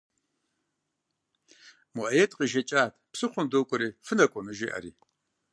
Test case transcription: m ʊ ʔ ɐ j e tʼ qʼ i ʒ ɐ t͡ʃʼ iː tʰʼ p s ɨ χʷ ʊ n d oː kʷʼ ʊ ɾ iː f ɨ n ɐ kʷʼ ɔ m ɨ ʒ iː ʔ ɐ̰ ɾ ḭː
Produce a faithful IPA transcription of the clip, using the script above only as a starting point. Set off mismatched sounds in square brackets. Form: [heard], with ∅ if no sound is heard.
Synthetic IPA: m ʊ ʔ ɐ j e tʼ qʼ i ʒ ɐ t͡ʃʼ [aː] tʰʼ p s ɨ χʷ ʊ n d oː kʷʼ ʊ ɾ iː f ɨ n ɐ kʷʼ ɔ m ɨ ʒ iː ʔ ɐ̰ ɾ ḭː